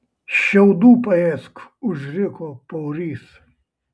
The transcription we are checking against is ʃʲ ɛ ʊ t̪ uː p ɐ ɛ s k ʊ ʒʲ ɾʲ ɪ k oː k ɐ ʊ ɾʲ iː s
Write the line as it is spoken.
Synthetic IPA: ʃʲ ɛ ʊ d̪ uː p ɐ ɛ s k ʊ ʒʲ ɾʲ ɪ k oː p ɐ ʊ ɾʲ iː s